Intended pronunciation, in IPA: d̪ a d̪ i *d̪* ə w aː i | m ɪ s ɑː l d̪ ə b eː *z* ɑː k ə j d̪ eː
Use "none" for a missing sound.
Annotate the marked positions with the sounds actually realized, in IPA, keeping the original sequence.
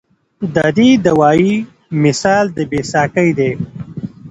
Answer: d̪, s

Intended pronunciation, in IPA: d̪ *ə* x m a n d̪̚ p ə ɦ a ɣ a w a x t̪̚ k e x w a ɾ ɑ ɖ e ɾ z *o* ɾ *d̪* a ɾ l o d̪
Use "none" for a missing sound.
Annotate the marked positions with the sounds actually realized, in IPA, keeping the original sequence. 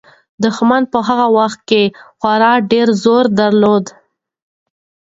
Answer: ə, o, d̪

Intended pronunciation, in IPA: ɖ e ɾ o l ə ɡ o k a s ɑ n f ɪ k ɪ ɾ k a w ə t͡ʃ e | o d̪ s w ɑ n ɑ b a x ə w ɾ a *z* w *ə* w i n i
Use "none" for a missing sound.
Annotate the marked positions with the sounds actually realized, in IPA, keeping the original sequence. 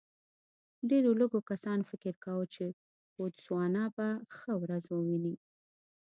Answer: z, ə

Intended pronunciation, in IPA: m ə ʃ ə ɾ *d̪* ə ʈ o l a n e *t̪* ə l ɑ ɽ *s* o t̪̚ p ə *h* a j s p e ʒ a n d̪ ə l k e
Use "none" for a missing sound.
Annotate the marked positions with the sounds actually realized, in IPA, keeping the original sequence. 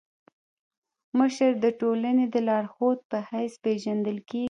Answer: d̪, d̪, x, h

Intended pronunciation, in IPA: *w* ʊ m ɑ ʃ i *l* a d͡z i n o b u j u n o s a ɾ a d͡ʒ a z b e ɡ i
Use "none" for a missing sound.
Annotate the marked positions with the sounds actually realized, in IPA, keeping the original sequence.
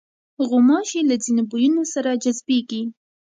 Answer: ɣ, l

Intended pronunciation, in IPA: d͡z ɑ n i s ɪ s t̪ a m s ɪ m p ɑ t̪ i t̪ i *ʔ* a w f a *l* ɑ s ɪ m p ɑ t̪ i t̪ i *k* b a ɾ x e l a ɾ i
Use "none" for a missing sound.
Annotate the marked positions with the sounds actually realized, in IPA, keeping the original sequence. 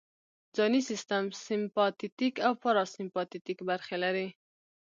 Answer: k, ɾ, k

